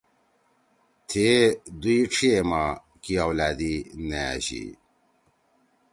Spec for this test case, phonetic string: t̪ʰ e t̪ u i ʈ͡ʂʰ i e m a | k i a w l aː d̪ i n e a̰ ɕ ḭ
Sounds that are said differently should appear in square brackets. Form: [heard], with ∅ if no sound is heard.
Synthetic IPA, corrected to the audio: t̪ʰ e [d̪] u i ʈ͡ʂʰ i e m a | k i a w l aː d̪ i n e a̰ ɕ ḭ